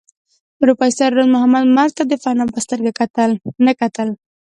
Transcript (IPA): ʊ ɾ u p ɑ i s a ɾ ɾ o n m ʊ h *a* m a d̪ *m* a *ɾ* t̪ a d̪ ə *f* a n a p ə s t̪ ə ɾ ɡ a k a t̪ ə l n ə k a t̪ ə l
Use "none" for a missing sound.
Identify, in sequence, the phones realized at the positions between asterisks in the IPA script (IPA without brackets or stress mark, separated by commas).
a, m, ɾ, f